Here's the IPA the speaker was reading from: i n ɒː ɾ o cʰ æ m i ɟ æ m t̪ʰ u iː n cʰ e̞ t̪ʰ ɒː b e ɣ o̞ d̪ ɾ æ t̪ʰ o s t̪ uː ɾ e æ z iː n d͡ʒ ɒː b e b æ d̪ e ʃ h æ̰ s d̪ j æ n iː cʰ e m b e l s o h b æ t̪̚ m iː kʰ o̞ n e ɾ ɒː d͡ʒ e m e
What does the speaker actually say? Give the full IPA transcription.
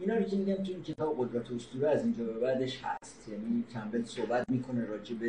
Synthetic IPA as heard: i n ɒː ɾ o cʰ e m i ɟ æ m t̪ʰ u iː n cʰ e̞ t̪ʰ ɒː b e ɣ o̞ d̪ ɾ æ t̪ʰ o s t̪ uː ɾ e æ z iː n d͡ʒ ɒː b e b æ d̪ e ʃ h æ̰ s t̪ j æ n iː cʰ æ m b e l s o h b æ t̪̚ m iː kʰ o̞ n e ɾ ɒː d͡ʒ e b e